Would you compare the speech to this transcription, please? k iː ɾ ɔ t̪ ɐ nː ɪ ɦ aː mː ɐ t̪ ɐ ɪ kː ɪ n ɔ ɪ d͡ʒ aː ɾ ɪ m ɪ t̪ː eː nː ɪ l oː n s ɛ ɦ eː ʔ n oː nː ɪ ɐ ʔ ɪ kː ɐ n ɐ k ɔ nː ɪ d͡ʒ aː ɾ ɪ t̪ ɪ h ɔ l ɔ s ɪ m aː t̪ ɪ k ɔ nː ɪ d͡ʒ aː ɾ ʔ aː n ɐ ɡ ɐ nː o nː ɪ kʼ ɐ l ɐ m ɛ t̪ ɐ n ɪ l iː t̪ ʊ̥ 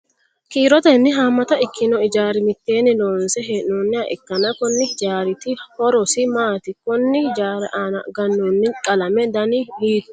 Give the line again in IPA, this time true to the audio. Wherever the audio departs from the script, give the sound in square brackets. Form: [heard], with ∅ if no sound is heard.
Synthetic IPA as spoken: k iː ɾ ɔ t̪ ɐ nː ɪ ɦ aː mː ɐ t̪ ɐ ɪ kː ɪ n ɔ ɪ d͡ʒ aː ɾ ɪ m ɪ t̪ː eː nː ɪ l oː n s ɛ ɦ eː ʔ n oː nː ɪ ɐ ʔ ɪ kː ɐ n ɐ k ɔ nː ɪ d͡ʒ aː ɾ ɪ t̪ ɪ h ɔ [ɾ] ɔ s ɪ m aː t̪ ɪ k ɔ nː ɪ d͡ʒ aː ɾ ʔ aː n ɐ ɡ ɐ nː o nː ɪ kʼ ɐ l ɐ m ɛ [d̪] ɐ n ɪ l iː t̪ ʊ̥